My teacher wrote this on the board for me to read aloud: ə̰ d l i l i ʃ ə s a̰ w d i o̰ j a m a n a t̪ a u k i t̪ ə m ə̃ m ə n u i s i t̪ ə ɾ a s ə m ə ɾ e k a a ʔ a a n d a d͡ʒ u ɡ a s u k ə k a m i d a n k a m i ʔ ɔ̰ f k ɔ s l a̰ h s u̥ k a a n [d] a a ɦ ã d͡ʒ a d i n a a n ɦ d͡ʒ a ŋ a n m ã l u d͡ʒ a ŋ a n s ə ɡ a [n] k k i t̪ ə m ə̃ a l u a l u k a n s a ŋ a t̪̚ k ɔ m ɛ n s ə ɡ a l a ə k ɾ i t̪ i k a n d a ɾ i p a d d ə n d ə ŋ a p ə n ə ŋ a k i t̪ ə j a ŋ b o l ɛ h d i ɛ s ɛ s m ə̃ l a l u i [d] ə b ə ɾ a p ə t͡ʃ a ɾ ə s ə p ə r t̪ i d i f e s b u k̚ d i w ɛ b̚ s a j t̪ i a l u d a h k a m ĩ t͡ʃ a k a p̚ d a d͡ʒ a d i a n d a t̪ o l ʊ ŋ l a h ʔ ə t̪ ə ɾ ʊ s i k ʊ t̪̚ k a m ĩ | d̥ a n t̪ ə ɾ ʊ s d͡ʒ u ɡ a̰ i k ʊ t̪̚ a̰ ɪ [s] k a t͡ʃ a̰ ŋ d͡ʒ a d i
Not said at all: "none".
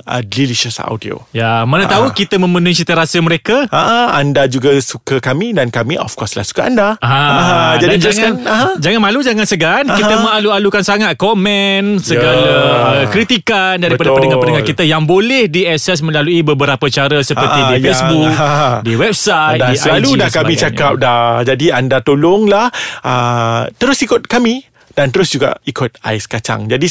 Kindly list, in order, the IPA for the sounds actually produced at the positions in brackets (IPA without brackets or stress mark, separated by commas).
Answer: d, n, b, s